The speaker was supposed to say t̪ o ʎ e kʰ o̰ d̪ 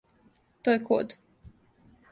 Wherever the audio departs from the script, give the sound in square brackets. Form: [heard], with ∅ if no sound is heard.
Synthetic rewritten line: t̪ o [j] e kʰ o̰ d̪